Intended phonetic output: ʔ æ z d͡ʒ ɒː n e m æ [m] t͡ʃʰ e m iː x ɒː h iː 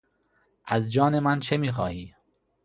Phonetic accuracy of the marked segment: incorrect: n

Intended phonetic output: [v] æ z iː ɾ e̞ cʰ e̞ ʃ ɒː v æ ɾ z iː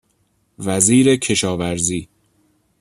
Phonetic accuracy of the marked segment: correct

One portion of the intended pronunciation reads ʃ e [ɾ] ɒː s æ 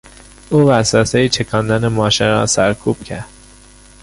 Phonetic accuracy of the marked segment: correct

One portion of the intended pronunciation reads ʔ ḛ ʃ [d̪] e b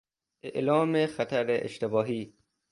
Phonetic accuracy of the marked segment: incorrect: t̪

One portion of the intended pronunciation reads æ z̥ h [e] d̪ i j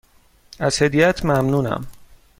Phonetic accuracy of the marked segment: correct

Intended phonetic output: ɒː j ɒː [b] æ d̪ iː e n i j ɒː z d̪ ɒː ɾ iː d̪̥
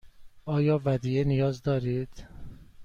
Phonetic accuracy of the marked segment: incorrect: v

